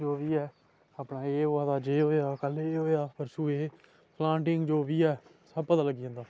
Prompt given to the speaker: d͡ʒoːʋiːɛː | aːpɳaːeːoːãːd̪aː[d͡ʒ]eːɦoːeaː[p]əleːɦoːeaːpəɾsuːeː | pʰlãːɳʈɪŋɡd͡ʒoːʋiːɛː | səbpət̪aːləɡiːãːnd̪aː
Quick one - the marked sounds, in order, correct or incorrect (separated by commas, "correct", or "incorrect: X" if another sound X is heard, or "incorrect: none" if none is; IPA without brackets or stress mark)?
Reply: correct, incorrect: k